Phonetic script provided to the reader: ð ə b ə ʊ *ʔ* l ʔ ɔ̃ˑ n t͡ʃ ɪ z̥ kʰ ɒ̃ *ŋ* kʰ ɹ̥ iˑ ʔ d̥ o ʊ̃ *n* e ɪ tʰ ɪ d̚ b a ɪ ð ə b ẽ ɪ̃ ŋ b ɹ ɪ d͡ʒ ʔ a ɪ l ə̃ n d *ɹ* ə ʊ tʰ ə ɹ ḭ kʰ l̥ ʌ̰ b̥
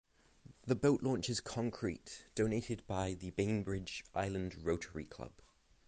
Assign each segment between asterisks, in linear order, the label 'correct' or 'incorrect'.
correct, correct, correct, correct

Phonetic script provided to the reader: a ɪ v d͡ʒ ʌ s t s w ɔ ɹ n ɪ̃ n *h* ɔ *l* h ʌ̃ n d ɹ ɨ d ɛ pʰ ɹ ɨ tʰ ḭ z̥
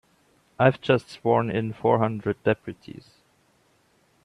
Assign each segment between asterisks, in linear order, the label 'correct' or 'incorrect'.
incorrect: f, incorrect: ɹ

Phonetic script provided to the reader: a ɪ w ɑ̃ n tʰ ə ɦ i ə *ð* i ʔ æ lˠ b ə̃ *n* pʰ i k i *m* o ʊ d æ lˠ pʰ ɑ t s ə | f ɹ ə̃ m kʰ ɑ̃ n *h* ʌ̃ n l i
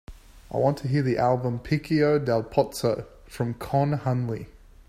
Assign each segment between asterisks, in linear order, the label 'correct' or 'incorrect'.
correct, incorrect: m, incorrect: none, correct

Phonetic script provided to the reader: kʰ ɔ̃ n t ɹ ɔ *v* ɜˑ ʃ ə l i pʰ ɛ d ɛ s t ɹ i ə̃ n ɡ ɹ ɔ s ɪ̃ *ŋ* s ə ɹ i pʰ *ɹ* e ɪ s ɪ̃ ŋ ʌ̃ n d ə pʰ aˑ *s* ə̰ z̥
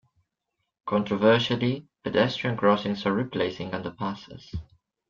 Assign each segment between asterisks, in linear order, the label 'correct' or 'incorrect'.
correct, correct, incorrect: l, correct

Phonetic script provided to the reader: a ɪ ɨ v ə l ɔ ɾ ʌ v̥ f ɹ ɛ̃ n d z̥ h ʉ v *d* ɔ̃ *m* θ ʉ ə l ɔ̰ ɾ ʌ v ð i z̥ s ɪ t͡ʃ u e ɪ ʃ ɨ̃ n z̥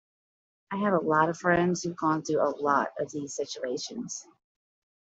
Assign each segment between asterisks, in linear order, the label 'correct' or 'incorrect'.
incorrect: ɡ, incorrect: n

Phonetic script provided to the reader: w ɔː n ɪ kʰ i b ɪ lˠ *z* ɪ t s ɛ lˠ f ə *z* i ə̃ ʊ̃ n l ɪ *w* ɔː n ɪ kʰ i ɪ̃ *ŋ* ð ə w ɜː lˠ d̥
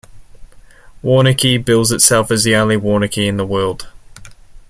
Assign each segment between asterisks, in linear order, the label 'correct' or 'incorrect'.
correct, correct, correct, incorrect: n

